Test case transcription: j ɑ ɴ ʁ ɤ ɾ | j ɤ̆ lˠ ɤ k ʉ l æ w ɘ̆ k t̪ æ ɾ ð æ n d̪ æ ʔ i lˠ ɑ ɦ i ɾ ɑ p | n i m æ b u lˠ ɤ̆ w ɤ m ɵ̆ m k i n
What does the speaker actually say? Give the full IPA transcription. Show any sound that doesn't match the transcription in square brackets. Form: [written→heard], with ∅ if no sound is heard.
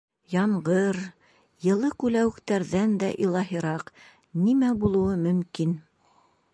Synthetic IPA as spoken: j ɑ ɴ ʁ ɤ ɾ | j ɤ̆ lˠ ɤ k ʉ l æ w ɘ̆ k t̪ æ ɾ ð æ n d̪ æ ʔ i lˠ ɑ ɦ i ɾ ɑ [p→q] | n i m æ b u lˠ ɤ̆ w ɤ m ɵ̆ m k i n

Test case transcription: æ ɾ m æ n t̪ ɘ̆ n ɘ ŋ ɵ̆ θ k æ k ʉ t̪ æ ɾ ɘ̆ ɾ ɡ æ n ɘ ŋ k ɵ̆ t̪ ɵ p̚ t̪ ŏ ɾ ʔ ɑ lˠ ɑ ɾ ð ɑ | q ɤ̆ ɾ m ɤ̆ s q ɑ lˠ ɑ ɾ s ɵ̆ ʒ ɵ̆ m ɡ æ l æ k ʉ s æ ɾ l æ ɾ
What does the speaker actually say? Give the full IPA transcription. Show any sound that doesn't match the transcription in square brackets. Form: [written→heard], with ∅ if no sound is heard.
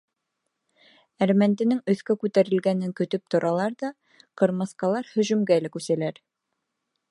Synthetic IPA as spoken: æ ɾ m æ n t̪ ɘ̆ n ɘ ŋ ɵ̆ θ k æ k ʉ t̪ æ ɾ ɘ̆ [ɾ→l] ɡ æ n ɘ ŋ k ɵ̆ t̪ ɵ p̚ t̪ ŏ ɾ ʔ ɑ lˠ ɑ ɾ ð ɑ | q ɤ̆ ɾ m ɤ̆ s q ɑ lˠ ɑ ɾ [s→h] ɵ̆ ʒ ɵ̆ m ɡ æ l æ k ʉ s æ [ɾ→∅] l æ ɾ

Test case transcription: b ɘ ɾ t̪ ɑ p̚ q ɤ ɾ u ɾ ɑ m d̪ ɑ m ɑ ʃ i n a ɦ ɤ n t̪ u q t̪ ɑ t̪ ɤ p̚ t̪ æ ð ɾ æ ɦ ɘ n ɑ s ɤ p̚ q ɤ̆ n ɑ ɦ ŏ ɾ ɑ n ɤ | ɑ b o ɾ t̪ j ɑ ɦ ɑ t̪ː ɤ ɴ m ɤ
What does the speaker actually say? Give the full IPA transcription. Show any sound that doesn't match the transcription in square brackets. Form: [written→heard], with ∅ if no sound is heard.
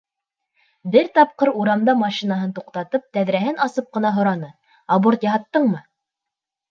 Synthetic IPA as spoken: b ɘ ɾ t̪ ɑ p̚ q ɤ ɾ u ɾ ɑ m d̪ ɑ m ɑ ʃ i n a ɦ ɤ n t̪ u q t̪ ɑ t̪ ɤ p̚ t̪ æ ð ɾ æ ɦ ɘ n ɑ s ɤ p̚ q ɤ̆ n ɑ ɦ ŏ ɾ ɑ n ɤ | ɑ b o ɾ t̪ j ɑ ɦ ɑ t̪ː ɤ ɴ m ɤ

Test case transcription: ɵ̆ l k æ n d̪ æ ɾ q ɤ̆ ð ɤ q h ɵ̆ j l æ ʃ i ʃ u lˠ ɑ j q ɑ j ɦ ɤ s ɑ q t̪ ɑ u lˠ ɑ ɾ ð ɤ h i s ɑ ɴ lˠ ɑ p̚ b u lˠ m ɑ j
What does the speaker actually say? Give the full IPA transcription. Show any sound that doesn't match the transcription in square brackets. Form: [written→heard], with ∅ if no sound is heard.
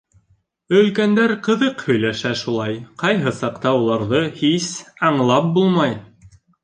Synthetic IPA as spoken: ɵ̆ l k æ n d̪ æ ɾ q ɤ̆ ð ɤ q h ɵ̆ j l æ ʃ [i→æ] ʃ u lˠ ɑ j q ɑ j ɦ ɤ s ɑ q t̪ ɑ u lˠ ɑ ɾ ð ɤ h i s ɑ ɴ lˠ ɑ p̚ b u lˠ m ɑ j

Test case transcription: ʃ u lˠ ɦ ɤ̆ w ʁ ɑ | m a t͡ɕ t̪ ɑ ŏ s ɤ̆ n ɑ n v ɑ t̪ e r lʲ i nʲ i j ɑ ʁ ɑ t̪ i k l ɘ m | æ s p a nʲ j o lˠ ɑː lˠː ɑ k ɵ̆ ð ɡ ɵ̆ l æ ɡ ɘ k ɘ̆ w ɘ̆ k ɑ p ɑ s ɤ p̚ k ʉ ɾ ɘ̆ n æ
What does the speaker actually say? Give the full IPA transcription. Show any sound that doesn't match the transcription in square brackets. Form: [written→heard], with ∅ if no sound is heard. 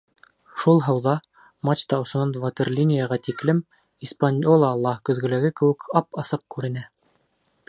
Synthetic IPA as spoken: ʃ u lˠ ɦ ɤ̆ w [ʁ→ð] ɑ | m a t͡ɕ t̪ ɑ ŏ s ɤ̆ n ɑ n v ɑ t̪ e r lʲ i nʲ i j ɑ ʁ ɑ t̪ i k l ɘ m | [æ→i] s p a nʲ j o lˠ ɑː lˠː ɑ k ɵ̆ ð ɡ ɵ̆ l æ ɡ ɘ k ɘ̆ w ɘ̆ k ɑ p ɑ s ɤ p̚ k ʉ ɾ ɘ̆ n æ

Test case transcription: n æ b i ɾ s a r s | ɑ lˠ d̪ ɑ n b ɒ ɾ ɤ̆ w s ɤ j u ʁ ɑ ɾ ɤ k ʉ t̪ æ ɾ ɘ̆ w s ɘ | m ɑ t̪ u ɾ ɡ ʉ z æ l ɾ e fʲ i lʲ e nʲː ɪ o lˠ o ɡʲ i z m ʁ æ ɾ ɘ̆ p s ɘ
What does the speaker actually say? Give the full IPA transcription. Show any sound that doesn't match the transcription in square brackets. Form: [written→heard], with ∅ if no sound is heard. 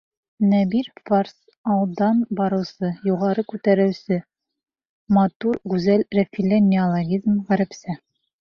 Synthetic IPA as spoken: n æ b i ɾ [s→f] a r s | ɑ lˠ d̪ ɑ n b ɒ ɾ ɤ̆ w s ɤ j u ʁ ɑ ɾ ɤ k ʉ t̪ æ ɾ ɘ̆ w s ɘ | m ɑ t̪ u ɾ ɡ ʉ z æ l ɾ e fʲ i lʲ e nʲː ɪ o lˠ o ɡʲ i z m ʁ æ ɾ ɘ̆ p s ɘ

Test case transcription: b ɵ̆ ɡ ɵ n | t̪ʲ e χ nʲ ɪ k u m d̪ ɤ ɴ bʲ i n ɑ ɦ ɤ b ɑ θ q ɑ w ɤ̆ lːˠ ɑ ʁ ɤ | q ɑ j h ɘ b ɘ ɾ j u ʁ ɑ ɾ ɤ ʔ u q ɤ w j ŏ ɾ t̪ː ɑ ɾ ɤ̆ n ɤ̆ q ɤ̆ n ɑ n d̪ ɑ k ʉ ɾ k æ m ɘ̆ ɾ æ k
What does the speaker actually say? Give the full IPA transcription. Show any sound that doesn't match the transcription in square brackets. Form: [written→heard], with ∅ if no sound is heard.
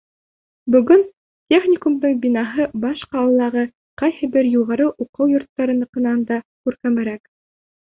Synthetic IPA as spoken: b ɵ̆ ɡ ɵ n | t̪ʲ e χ nʲ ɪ k u m d̪ ɤ ɴ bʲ i n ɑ ɦ ɤ b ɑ [θ→ʃ] q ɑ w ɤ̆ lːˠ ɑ ʁ ɤ | q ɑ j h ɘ b ɘ ɾ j u ʁ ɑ ɾ ɤ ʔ u q ɤ w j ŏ ɾ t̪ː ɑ ɾ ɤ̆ n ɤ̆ q ɤ̆ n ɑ n d̪ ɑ k ʉ ɾ k æ m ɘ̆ ɾ æ k

